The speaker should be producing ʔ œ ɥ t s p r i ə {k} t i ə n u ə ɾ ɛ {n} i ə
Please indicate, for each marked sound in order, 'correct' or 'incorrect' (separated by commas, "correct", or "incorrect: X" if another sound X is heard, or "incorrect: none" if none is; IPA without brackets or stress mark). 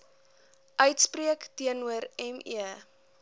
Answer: correct, incorrect: m